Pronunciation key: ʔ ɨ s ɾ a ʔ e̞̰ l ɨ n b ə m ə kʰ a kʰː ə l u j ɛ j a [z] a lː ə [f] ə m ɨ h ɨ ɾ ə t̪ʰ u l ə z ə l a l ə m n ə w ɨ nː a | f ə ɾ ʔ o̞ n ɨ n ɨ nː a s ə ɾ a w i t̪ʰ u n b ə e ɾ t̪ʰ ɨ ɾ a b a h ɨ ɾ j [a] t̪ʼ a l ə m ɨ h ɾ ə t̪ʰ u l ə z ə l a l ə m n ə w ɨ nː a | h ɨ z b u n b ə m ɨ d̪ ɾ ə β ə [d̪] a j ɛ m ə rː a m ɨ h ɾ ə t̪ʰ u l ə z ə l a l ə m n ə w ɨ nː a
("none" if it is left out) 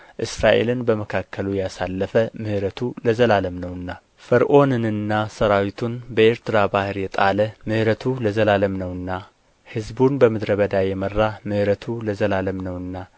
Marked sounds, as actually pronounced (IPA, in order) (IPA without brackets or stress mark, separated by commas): s, f, ɛ, d̪